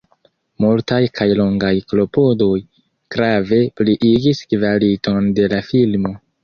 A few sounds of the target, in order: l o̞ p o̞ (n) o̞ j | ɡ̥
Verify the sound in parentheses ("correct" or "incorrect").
incorrect